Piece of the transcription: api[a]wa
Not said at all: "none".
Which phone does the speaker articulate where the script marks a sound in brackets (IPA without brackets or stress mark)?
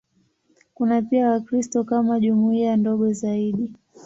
a